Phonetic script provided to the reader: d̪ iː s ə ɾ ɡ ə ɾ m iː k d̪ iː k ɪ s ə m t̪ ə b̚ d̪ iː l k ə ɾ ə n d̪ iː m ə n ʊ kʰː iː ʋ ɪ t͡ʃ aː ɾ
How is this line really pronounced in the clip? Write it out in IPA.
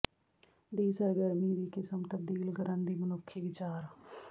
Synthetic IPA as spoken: d̪ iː s ə ɾ ɡ ə ɾ m iː d̪ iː k ɪ s ə m t̪ ə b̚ d̪ iː l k ə ɾ ə n d̪ iː m ə n ʊ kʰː iː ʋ ɪ t͡ʃ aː ɾ